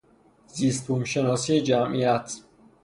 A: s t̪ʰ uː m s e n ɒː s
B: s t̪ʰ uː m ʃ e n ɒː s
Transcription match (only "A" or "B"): B